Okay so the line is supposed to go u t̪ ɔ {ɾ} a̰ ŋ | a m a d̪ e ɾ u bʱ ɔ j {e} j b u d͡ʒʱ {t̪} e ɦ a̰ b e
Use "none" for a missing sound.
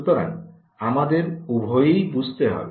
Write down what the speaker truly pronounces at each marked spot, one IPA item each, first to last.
ɾ, e, t̪

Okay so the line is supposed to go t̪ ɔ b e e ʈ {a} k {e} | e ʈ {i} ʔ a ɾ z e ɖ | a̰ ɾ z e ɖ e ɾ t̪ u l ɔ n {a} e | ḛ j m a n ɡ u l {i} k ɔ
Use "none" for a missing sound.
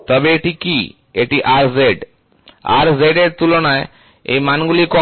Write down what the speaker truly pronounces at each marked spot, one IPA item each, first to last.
i, i, i, a, i

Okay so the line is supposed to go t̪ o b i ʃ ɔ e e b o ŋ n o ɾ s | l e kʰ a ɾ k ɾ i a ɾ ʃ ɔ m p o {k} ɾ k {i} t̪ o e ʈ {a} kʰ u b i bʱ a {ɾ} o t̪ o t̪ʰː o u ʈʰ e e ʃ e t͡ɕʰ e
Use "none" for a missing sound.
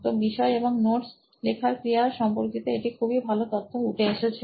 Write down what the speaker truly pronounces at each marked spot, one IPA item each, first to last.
none, i, i, l

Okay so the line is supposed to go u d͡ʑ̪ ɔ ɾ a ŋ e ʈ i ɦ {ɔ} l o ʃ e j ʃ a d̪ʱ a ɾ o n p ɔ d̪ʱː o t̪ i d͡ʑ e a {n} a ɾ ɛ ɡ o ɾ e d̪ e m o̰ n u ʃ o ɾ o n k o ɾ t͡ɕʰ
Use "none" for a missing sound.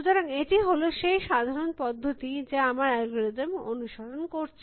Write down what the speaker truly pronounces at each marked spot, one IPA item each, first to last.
o, m

